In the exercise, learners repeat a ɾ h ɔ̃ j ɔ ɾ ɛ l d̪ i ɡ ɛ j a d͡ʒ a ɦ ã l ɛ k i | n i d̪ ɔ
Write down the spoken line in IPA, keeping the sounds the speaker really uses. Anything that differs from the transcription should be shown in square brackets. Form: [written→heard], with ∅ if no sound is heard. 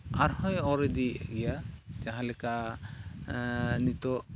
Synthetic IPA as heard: a ɾ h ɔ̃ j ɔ ɾ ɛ [l→∅] d̪ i ɡ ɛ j a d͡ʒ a ɦ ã l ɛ k [i→a] | n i [d̪→t̪] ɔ